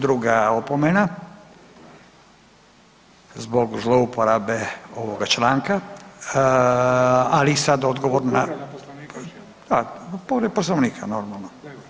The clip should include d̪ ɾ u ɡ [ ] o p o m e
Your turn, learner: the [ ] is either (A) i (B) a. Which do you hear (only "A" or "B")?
B